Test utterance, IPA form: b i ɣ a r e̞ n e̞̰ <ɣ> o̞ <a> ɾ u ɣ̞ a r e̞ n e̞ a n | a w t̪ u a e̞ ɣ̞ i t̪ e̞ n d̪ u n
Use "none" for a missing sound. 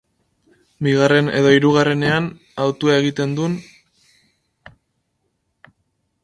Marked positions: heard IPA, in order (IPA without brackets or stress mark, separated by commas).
ð, i